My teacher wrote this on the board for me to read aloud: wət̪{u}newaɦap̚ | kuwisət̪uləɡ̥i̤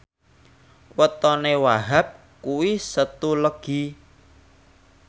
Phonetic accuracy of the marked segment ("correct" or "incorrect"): incorrect